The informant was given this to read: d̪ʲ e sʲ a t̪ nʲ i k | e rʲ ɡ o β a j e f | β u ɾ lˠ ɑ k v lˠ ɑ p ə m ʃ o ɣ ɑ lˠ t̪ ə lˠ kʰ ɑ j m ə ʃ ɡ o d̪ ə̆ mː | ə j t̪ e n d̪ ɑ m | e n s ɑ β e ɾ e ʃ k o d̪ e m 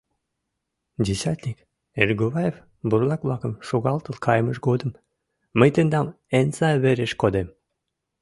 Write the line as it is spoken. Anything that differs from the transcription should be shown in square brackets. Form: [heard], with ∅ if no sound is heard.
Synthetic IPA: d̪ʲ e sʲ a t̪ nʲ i k | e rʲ ɡ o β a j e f | [b] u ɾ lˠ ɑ k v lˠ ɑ [k] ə m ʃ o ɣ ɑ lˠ t̪ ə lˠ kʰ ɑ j m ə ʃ ɡ o d̪ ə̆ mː | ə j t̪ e n d̪ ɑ m | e n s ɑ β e ɾ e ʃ k o d̪ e m